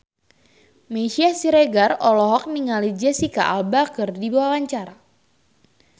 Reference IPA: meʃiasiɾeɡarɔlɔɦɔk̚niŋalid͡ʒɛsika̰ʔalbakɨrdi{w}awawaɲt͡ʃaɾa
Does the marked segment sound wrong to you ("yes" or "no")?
yes